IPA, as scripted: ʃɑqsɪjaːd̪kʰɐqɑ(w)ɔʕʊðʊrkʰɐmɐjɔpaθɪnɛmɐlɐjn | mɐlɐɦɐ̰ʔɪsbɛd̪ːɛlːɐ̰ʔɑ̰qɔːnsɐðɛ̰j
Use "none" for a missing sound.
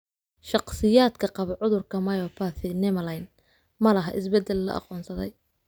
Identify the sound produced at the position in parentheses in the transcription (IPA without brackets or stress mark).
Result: β